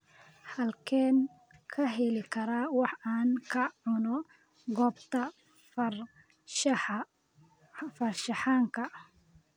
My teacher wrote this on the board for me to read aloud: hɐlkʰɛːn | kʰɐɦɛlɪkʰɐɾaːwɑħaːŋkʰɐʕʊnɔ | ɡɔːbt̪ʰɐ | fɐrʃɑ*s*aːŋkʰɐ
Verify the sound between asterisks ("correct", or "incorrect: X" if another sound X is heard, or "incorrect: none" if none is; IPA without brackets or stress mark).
incorrect: ħ